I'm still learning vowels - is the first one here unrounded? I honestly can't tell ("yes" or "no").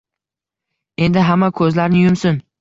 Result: yes